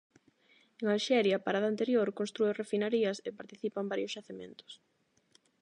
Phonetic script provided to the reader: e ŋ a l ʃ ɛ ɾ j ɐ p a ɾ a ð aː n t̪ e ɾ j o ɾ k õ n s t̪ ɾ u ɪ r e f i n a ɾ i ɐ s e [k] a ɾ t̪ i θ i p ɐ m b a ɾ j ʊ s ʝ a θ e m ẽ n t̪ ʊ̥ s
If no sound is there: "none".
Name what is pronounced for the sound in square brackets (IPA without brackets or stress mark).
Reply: p